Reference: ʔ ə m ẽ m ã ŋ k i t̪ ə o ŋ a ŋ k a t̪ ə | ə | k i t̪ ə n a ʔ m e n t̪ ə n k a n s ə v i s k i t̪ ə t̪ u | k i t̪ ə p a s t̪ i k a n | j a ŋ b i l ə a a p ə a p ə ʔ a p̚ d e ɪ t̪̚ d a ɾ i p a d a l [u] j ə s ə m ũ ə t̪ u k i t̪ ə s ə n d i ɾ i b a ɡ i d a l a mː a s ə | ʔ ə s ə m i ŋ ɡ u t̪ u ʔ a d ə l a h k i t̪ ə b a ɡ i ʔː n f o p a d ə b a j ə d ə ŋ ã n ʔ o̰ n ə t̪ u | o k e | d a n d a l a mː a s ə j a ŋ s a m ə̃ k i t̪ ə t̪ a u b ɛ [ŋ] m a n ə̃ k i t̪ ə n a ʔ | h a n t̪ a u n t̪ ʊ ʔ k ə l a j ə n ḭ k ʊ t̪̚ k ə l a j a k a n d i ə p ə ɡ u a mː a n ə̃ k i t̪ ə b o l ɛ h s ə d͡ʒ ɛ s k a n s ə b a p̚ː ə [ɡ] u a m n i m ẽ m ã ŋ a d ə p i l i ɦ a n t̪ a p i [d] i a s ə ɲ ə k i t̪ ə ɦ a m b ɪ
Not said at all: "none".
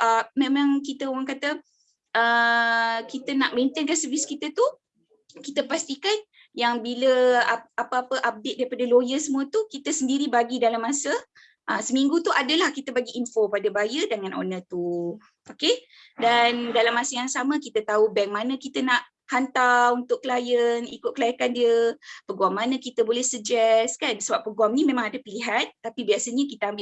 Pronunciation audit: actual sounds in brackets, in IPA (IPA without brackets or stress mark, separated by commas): o, ŋ, ɡ, b